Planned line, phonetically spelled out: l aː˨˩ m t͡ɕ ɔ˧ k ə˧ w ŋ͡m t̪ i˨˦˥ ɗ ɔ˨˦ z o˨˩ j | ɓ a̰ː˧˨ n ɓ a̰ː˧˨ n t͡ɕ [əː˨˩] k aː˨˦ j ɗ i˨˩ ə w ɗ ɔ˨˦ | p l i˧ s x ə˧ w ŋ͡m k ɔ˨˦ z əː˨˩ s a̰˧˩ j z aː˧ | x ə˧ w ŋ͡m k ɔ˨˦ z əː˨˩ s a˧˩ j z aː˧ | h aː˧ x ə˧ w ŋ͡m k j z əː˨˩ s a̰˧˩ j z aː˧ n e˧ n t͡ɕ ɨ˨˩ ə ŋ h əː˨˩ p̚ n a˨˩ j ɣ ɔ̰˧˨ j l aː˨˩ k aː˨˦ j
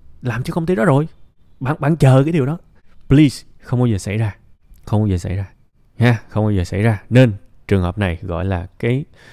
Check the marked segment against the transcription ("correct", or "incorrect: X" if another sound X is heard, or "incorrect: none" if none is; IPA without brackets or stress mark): correct